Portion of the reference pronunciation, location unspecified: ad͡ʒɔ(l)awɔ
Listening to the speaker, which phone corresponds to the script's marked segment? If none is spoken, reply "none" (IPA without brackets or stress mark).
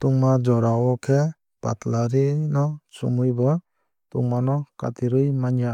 ɾ